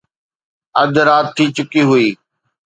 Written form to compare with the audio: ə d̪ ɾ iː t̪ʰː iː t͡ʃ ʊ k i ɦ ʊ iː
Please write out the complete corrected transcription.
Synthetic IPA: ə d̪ ɾ aː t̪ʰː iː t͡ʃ ʊ k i ɦ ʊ iː